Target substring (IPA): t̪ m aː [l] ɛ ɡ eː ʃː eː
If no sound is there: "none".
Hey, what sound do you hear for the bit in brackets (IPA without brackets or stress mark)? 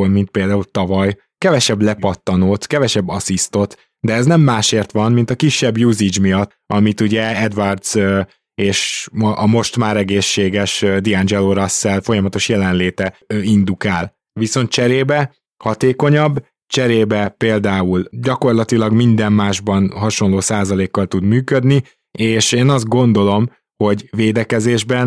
ɾ